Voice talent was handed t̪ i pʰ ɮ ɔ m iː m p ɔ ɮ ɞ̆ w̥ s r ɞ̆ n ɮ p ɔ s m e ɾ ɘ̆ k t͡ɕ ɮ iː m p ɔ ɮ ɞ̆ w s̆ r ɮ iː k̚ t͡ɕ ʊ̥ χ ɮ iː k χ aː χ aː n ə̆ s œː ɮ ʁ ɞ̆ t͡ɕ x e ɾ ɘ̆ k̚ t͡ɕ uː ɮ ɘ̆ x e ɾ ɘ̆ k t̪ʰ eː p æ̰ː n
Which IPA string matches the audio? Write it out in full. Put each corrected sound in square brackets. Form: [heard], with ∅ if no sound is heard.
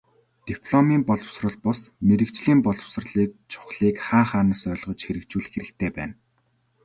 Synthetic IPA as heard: t̪ i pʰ ɮ ɔ m iː m p ɔ ɮ ɞ̆ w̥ s r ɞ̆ [∅] ɮ p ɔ s m e ɾ ɘ̆ k t͡ɕ ɮ iː m p ɔ ɮ ɞ̆ w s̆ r ɮ iː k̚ [t͡ɕʰ] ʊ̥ χ ɮ iː k χ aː χ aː n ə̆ s œː ɮ ʁ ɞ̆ t͡ɕ x e ɾ ɘ̆ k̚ t͡ɕ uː ɮ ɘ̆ x e ɾ ɘ̆ k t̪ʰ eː p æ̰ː n